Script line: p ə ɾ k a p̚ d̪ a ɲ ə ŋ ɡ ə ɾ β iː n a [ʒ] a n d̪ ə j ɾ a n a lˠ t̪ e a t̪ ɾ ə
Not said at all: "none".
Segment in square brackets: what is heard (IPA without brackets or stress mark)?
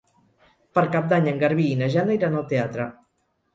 ʒ